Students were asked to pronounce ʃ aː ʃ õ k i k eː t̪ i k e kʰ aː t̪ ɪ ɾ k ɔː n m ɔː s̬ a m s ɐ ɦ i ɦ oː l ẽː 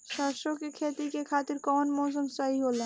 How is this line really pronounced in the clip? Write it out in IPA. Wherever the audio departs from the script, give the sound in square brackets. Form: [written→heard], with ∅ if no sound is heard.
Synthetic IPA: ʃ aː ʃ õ k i [k→kʰ] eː t̪ i k e kʰ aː t̪ ɪ ɾ k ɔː n m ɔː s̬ [a→ə] m s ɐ ɦ i ɦ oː l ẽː